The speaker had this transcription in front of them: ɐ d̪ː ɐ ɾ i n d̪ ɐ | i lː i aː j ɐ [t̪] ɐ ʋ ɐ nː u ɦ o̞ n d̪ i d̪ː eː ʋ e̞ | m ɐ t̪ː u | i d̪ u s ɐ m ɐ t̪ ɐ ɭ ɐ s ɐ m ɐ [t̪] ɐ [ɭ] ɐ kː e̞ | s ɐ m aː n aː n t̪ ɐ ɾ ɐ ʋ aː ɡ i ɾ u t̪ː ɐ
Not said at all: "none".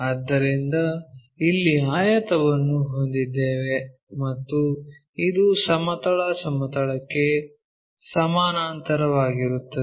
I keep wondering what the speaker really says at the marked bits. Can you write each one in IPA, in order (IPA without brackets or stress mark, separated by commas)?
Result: t̪, t̪, ɭ